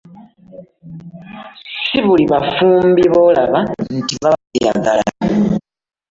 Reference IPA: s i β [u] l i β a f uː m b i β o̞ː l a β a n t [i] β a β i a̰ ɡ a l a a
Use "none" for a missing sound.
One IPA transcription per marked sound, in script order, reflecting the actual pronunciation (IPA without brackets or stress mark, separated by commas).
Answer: u, i